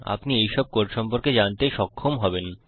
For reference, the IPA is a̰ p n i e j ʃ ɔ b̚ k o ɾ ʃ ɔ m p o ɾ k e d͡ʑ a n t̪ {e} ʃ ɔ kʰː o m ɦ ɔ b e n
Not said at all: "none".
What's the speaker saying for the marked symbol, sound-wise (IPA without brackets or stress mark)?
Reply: e